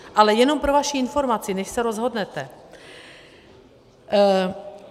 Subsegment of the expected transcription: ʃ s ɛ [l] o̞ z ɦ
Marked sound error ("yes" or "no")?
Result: yes